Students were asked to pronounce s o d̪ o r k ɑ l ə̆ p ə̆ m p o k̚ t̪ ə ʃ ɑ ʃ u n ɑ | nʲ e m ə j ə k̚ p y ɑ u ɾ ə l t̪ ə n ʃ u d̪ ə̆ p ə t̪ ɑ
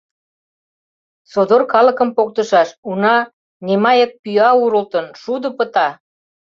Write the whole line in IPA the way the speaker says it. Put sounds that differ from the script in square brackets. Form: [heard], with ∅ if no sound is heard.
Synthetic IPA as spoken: s o d̪ o r k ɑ l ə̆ [k] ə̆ m p o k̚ t̪ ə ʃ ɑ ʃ u n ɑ | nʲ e m [ɑ] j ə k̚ p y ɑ u ɾ ə l t̪ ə n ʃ u d̪ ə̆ p ə t̪ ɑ

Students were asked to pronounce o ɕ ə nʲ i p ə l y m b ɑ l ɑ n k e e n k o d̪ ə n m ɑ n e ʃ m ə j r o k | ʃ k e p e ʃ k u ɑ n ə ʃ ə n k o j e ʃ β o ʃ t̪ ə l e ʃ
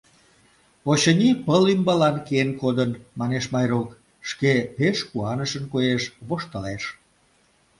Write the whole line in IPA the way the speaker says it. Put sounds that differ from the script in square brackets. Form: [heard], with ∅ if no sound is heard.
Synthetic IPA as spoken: o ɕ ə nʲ i p ə l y m b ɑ l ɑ n k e e n k o d̪ ə n m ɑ n e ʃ m [ɑ] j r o k | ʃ k e p e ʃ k u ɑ n ə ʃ ə n k o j e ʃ β o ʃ t̪ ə l e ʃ

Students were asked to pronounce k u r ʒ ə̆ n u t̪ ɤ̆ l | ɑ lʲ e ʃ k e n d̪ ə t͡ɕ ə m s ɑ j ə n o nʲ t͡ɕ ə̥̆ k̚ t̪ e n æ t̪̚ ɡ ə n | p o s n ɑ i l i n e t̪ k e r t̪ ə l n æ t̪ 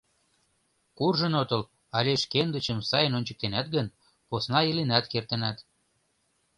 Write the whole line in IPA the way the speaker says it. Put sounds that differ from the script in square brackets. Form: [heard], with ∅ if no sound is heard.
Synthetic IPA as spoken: k u r ʒ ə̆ n [o] t̪ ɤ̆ l | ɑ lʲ e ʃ k e n d̪ ə t͡ɕ ə m s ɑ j ə n o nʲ t͡ɕ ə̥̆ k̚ t̪ e n æ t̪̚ ɡ ə n | p o s n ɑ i l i n [æ] t̪ k e r t̪ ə [∅] n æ t̪

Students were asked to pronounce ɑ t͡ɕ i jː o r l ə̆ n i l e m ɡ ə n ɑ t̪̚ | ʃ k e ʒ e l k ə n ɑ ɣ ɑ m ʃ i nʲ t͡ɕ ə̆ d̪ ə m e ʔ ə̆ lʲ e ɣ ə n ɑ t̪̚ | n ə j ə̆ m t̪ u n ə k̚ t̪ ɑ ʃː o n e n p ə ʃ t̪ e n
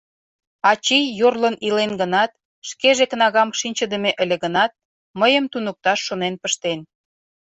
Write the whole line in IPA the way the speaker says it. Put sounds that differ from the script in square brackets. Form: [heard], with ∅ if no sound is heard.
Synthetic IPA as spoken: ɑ t͡ɕ i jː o r l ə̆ n i l e [n] ɡ ə n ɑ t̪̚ | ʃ k e ʒ e [∅] k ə n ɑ ɣ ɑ m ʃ i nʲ t͡ɕ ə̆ d̪ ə m e ʔ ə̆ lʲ e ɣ ə n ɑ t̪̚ | [m] ə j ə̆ m t̪ u n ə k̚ t̪ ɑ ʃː o n e n p ə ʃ t̪ e n

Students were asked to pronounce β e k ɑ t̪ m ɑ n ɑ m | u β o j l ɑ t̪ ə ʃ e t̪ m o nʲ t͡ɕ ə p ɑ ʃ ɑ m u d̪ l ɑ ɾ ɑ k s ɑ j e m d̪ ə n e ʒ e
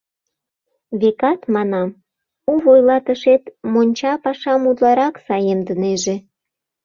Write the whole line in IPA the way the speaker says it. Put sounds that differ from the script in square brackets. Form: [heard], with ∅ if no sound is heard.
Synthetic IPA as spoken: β e k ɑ t̪ m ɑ n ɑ m | u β o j l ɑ t̪ ə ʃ e t̪ m o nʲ t͡ɕ [ɑ] p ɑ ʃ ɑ m u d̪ l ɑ ɾ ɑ k s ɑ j e m d̪ ə n e ʒ e

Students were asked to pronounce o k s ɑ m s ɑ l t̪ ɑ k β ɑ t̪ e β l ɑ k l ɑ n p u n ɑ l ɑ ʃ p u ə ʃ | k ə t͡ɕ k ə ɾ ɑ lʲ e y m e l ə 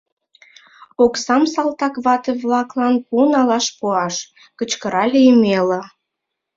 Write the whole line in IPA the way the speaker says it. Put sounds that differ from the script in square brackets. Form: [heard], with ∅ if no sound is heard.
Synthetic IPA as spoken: o k s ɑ m s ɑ l t̪ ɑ k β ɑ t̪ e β l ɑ k l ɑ n p u n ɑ l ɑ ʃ p u [ɑ] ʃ | k ə t͡ɕ k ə ɾ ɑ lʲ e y m e l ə

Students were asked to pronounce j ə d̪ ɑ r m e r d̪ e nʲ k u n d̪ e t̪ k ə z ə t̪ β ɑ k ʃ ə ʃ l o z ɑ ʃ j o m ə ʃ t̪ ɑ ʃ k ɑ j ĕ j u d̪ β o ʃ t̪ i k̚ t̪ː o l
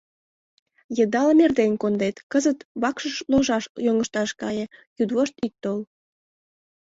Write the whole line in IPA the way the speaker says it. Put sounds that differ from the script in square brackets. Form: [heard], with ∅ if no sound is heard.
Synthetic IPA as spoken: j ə d̪ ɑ [l] m e r d̪ e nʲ k [o] n d̪ e t̪ k ə z ə t̪ β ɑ k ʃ ə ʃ l o [ʒ] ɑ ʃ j o [ŋ] ə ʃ t̪ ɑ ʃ k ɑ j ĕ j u d̪ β o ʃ t̪ i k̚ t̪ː o l

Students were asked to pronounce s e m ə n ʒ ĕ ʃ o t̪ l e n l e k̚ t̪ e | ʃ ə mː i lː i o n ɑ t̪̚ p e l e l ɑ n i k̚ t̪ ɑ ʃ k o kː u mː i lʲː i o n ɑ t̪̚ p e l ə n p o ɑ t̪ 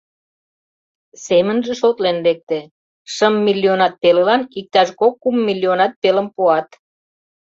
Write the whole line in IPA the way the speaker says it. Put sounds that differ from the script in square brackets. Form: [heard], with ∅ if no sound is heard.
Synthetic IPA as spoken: s e m ə n ʒ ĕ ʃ o t̪ l e n l e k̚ t̪ e | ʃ ə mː i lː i o n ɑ t̪̚ p e l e l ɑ n i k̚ t̪ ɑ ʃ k o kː u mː i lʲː i o n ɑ t̪̚ p e l ə [m] p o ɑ t̪

